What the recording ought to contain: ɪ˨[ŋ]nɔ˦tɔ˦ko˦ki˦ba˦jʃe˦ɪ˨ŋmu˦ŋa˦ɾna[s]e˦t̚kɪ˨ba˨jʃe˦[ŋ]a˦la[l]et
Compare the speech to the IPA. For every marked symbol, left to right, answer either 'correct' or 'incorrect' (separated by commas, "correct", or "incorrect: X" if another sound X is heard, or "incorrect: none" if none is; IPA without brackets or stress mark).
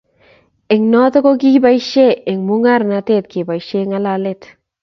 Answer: correct, incorrect: t, correct, correct